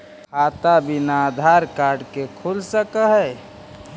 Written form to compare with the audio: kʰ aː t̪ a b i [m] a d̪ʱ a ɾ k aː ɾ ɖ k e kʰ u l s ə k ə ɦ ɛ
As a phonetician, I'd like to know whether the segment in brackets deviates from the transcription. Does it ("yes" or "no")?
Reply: yes